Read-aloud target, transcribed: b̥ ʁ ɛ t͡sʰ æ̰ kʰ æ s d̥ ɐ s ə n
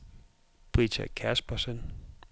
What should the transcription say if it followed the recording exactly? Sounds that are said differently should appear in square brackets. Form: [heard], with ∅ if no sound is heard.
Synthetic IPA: b̥ ʁ [i] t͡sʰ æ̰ kʰ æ s [b̥] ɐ s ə n